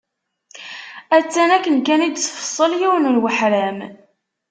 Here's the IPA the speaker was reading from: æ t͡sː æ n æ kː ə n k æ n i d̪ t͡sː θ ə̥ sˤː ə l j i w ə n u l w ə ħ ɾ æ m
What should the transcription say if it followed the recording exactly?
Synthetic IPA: æ t͡sː æ n æ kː ə n k æ n i d̪ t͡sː f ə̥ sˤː ə l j i w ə n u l w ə ħ ɾ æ m

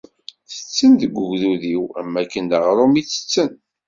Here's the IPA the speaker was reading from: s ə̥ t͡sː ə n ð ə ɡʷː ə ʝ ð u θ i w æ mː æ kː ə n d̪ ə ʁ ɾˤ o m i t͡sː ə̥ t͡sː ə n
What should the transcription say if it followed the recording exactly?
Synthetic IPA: θ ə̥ t͡sː ə n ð ə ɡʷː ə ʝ ð u ð i w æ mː æ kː ə n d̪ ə ʁ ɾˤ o m i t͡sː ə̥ t͡sː ə n

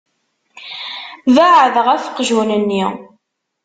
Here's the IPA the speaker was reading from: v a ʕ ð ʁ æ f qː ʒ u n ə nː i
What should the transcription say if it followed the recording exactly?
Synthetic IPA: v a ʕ ð ʁ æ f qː ʒ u n ə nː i

